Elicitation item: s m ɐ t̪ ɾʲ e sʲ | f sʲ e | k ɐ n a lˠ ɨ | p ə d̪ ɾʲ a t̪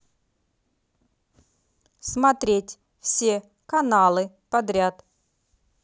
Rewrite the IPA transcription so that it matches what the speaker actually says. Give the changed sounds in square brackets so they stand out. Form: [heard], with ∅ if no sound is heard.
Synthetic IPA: s m ɐ t̪ ɾʲ e [tʲ] | f sʲ e | k ɐ n a lˠ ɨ | p [ɐ] d̪ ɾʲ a t̪